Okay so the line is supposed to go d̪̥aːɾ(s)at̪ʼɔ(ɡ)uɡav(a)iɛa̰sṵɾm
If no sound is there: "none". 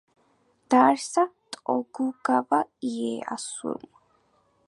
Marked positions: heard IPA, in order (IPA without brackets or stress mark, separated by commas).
s, ɡ, a